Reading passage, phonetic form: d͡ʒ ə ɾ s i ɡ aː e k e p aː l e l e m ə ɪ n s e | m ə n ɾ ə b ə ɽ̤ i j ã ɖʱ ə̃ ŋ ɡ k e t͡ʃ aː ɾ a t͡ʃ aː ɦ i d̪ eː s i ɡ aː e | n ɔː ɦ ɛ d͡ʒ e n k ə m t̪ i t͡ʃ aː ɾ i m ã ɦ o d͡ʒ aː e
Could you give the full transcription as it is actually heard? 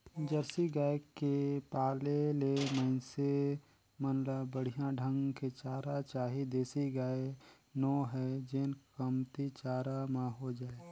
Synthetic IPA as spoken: d͡ʒ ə ɾ s i ɡ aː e k e p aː l e l e m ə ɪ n s e | m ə n l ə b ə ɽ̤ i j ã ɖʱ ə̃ ŋ ɡ k e t͡ʃ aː ɾ a t͡ʃ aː ɦ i d̪ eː s i ɡ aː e | n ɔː ɦ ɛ d͡ʒ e n k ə m t̪ i t͡ʃ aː ɾ a m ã ɦ o d͡ʒ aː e